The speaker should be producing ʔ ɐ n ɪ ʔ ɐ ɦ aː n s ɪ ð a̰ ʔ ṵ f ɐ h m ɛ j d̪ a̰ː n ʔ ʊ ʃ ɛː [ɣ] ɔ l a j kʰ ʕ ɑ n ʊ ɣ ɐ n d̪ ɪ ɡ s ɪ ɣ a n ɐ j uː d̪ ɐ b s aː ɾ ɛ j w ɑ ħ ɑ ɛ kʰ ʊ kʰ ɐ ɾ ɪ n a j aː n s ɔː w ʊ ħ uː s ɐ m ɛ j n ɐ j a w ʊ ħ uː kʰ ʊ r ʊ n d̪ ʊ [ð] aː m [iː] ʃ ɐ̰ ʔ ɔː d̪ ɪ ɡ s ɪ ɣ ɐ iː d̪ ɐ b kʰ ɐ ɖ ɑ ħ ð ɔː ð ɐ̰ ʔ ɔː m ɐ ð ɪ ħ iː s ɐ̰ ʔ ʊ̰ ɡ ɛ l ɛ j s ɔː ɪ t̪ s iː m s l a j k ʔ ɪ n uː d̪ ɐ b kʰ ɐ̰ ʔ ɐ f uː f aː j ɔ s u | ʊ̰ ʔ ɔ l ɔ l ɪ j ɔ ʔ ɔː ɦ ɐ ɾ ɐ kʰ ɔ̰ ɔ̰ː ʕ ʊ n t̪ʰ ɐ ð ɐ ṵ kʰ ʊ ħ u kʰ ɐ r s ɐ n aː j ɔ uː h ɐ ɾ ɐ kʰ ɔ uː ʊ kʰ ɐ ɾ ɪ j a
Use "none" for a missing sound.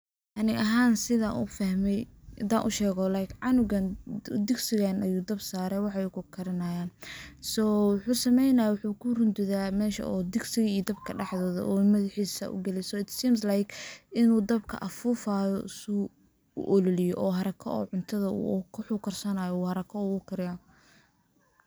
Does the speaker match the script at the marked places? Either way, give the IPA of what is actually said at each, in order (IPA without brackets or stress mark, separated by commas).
ɣ, ð, ɛː